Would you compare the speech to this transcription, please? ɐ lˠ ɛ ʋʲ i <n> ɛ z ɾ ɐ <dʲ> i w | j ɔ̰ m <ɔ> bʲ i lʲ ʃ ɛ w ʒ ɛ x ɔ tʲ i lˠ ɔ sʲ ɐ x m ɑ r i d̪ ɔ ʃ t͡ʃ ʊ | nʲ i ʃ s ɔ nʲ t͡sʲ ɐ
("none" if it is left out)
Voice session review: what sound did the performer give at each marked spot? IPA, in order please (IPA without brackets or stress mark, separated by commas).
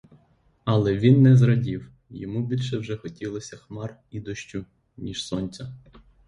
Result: nː, dʲ, u